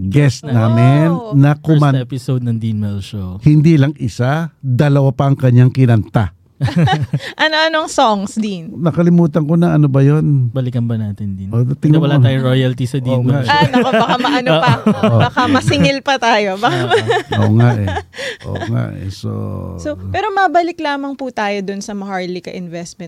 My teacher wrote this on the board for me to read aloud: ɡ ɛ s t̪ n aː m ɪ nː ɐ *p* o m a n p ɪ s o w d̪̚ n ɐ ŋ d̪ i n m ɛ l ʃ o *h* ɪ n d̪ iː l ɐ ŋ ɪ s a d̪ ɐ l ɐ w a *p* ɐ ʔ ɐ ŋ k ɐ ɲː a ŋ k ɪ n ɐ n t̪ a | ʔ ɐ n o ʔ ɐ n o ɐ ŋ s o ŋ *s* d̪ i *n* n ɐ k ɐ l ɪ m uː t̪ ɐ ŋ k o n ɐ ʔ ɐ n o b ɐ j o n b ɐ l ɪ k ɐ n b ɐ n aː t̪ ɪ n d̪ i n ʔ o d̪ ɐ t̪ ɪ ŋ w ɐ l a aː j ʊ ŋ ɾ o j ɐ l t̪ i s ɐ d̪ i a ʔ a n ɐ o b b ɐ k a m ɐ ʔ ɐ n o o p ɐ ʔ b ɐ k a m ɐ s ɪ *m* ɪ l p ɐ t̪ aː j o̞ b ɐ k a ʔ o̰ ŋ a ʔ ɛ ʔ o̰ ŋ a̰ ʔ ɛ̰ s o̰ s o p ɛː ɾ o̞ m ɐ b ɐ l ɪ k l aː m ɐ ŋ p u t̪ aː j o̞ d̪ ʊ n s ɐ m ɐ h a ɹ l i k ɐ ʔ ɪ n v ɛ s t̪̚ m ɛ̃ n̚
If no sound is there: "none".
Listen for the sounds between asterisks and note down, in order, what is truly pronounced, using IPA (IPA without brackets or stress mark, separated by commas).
k, h, p, s, n, ŋ